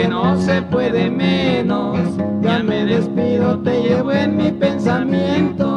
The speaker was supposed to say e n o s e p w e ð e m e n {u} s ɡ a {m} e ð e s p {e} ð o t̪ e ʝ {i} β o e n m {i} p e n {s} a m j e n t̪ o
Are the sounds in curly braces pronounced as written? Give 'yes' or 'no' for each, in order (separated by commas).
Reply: no, yes, no, no, yes, yes